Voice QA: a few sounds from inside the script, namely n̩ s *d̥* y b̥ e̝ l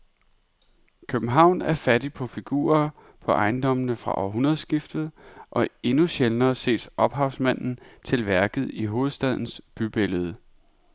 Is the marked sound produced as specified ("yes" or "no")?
no